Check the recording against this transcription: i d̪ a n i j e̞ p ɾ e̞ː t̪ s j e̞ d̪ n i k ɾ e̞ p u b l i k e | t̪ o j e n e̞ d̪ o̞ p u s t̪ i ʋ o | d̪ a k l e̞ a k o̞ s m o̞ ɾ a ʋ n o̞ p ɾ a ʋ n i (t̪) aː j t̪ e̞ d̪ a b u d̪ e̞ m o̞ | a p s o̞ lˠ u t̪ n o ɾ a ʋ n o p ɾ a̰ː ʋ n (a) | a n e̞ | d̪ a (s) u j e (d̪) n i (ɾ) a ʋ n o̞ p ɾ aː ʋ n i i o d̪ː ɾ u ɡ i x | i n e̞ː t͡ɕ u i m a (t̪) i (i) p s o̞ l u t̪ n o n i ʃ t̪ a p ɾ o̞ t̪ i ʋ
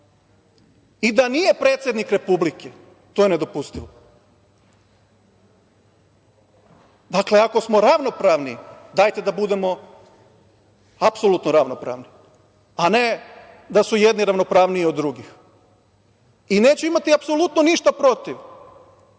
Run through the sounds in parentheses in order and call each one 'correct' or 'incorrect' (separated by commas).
incorrect, incorrect, correct, correct, correct, correct, incorrect